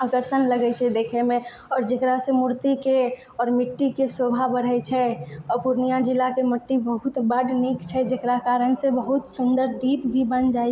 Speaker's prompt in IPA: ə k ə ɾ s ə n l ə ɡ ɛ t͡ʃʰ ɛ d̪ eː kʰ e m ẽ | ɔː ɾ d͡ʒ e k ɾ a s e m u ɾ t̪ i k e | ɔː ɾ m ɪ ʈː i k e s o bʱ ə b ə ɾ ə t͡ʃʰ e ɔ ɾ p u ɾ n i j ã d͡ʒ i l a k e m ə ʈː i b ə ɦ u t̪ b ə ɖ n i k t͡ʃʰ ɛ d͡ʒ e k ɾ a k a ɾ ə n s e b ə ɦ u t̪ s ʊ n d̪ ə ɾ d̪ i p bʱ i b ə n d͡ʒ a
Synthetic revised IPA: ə k ə ɾ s ə n l ə ɡ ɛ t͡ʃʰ ɛ d̪ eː kʰ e m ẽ | ɔː ɾ d͡ʒ e k ɾ a s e m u ɾ t̪ i k e | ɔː ɾ m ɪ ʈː i k e s o bʱ a b ə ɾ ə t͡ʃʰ ɛ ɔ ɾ p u ɾ n i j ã d͡ʒ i l a k e m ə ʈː i b ə ɦ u t̪ b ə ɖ n i k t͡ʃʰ ɛ d͡ʒ e k ɾ a k a ɾ ə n s e b ə ɦ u t̪ s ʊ n d̪ ə ɾ d̪ i p bʱ i b ə n d͡ʒ a